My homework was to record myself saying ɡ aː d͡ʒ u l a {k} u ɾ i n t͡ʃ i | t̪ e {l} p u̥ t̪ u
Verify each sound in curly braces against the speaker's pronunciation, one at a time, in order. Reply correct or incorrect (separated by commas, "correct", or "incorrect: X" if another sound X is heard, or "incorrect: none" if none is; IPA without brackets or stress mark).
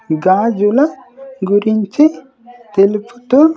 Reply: incorrect: ɡ, correct